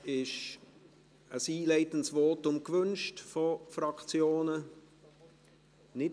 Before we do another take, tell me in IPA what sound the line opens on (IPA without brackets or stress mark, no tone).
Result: ɪ